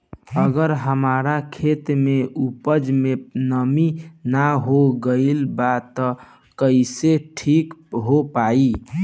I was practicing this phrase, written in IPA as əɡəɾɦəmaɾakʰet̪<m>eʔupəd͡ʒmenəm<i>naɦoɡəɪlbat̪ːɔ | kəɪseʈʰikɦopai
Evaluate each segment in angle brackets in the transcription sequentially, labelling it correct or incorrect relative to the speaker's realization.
correct, correct

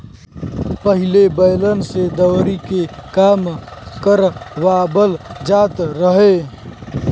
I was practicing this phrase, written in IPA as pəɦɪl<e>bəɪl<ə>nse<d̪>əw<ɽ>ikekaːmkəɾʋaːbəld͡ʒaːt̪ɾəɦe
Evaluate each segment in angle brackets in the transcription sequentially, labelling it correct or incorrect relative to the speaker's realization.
correct, correct, correct, incorrect

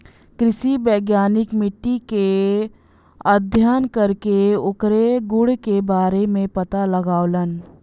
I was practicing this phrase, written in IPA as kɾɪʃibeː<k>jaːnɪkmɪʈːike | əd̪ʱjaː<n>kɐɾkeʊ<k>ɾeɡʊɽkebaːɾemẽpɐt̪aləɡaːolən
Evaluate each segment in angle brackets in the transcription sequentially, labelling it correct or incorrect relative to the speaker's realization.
incorrect, correct, correct

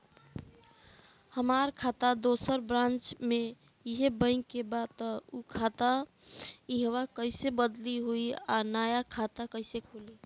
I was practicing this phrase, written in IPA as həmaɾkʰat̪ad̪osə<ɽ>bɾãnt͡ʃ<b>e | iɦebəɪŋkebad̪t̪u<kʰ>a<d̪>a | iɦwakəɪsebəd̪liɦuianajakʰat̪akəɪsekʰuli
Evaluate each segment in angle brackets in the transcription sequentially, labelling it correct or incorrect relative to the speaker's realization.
incorrect, incorrect, correct, incorrect

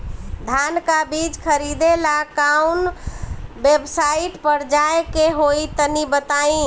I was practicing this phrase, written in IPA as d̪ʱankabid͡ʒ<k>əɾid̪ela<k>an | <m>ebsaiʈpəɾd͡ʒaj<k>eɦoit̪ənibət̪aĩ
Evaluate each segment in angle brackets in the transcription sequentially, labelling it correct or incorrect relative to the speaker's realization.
incorrect, correct, incorrect, correct

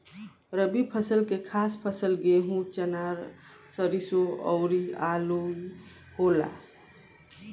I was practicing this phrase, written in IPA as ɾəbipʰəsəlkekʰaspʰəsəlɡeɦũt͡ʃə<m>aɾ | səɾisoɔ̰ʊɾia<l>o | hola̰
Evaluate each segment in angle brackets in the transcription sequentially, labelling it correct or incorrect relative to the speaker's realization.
incorrect, correct

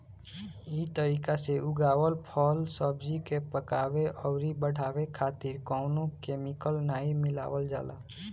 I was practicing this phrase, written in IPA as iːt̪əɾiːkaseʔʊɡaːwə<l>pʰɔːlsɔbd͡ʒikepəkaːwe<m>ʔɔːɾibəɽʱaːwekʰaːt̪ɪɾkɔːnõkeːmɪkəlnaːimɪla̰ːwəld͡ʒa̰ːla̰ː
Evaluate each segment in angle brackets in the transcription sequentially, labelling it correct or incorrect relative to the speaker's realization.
correct, incorrect

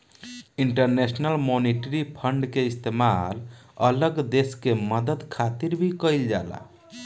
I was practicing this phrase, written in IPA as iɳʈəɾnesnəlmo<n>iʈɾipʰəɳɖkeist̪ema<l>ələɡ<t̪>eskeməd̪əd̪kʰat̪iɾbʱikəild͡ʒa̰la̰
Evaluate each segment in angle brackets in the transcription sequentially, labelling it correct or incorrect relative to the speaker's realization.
correct, correct, incorrect

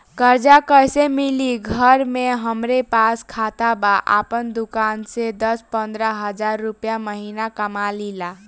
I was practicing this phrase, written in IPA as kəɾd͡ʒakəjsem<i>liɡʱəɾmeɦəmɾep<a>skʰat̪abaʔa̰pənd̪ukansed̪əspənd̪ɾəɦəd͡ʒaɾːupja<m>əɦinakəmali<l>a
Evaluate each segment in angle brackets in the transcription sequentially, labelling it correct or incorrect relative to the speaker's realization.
correct, correct, correct, correct

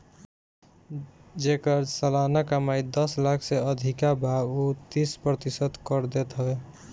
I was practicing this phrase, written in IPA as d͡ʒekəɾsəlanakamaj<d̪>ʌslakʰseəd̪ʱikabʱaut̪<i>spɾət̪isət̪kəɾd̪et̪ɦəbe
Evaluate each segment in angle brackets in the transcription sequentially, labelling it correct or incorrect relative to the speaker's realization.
correct, correct

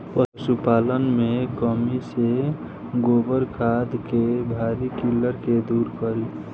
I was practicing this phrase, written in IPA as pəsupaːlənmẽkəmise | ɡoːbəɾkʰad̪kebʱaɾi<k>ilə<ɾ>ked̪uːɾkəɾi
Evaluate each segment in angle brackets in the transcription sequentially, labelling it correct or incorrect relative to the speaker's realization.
correct, correct

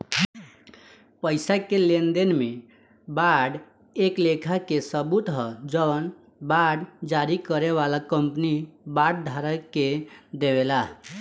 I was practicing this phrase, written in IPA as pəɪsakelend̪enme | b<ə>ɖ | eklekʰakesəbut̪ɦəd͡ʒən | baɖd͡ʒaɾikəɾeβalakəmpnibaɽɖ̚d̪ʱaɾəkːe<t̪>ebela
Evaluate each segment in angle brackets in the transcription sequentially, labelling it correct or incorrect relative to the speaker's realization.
incorrect, incorrect

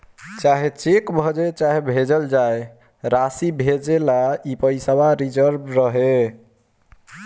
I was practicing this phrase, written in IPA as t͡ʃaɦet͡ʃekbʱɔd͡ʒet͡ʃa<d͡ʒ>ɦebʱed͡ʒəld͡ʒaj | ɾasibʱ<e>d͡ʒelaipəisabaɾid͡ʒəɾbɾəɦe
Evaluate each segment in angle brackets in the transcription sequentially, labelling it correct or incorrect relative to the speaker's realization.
incorrect, correct

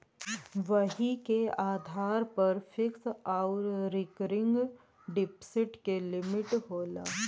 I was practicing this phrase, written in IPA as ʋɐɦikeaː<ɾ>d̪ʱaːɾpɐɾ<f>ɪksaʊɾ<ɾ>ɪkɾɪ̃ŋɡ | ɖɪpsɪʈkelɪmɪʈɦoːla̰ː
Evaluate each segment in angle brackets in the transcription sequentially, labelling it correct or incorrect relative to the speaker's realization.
incorrect, correct, correct

